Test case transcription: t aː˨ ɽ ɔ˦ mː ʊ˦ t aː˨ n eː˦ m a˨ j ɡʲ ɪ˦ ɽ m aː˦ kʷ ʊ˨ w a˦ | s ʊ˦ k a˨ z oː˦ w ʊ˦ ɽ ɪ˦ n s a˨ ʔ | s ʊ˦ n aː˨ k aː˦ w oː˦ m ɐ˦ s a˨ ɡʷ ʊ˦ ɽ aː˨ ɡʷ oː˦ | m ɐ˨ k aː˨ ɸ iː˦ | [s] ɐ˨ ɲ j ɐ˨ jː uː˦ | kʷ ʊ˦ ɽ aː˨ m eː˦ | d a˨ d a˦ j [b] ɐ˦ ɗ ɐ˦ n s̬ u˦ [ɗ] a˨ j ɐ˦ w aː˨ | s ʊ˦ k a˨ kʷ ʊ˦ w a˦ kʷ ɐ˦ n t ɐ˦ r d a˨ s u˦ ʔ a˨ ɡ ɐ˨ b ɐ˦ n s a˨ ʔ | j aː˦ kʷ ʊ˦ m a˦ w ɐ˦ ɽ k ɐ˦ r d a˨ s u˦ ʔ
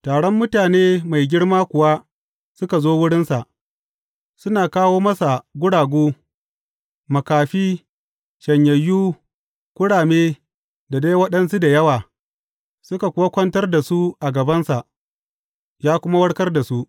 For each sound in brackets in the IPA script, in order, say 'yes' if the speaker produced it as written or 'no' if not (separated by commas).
no, no, no